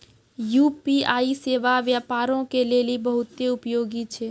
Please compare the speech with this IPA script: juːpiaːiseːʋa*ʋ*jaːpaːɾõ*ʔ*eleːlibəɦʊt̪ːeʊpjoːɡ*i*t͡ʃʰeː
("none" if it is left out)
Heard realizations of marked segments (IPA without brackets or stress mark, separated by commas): ʋ, k, i